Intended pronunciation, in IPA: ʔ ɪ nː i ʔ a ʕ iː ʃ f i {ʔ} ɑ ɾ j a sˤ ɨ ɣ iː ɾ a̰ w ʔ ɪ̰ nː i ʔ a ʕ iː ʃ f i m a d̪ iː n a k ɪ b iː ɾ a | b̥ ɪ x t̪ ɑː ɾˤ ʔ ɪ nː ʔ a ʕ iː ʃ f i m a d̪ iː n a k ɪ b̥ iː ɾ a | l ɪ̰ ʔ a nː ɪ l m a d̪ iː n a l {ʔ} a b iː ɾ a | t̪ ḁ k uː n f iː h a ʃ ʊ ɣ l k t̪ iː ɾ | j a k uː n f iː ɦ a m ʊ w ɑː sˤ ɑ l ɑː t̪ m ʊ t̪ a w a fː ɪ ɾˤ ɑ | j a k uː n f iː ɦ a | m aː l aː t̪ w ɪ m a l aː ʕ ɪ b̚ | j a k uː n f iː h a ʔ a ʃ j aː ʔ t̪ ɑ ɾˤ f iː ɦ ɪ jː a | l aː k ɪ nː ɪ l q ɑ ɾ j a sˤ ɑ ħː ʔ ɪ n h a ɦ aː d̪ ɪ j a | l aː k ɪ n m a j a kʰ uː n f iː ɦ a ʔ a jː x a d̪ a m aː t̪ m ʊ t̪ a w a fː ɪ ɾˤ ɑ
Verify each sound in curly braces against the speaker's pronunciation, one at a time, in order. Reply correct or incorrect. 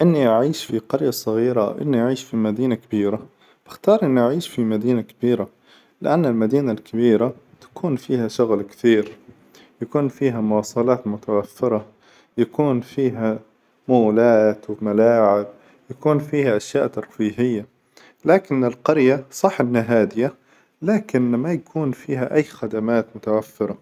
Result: incorrect: q, incorrect: k

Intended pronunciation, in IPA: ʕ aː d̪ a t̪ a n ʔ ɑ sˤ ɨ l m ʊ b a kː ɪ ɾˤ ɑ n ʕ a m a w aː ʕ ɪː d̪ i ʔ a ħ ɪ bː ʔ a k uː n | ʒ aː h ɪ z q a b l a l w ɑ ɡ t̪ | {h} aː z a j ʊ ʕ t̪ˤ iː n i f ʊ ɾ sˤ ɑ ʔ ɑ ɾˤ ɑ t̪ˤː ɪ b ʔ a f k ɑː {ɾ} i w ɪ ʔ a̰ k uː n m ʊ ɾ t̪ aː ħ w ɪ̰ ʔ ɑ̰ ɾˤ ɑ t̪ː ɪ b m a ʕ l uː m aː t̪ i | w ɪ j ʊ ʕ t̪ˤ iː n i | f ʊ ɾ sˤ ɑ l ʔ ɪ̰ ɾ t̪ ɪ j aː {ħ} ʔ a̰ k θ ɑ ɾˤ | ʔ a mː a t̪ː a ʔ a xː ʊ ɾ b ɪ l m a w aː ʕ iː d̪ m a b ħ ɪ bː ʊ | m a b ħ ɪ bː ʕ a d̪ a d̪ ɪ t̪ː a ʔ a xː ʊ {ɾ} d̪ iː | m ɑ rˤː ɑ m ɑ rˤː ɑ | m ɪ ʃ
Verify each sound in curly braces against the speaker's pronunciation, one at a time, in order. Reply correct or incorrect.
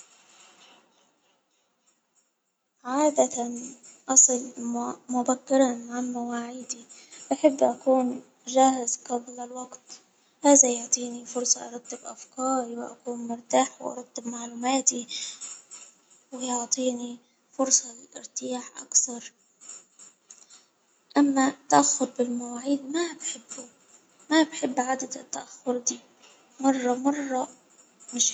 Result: correct, correct, correct, correct

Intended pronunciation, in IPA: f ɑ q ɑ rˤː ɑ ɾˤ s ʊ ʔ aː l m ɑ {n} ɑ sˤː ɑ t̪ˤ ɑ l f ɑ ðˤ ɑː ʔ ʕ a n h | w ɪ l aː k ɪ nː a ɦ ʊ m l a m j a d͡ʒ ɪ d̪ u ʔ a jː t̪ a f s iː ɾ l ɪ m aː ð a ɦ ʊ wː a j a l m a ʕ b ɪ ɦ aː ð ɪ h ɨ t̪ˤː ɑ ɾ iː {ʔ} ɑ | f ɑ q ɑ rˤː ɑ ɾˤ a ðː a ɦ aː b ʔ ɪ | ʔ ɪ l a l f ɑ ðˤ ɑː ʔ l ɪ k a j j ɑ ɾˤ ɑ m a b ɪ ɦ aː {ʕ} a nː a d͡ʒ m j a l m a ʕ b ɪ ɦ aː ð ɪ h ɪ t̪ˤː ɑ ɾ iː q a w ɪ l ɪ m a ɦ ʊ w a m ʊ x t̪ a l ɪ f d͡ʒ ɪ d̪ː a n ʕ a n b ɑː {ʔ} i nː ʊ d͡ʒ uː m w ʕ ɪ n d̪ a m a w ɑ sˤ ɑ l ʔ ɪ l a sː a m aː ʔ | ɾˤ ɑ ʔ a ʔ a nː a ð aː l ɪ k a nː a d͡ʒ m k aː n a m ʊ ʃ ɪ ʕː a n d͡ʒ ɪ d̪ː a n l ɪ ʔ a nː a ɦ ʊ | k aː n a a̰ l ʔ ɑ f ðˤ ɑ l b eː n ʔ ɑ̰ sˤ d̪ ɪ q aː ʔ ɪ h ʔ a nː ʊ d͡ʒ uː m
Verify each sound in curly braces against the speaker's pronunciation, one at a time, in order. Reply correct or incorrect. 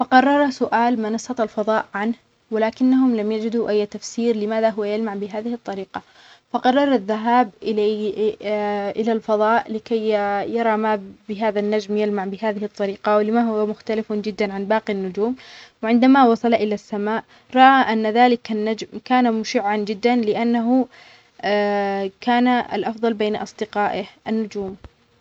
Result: correct, incorrect: q, incorrect: ð, incorrect: q

